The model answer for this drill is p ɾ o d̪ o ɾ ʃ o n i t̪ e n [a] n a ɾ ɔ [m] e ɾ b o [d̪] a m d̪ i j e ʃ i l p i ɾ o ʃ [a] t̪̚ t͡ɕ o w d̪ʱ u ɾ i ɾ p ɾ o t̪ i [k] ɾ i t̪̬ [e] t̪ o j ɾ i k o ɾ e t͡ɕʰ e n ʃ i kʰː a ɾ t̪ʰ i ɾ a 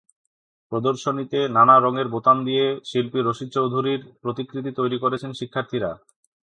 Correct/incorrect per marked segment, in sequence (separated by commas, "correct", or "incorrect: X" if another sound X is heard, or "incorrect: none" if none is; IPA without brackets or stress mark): correct, incorrect: ŋ, incorrect: t̪, incorrect: i, correct, incorrect: i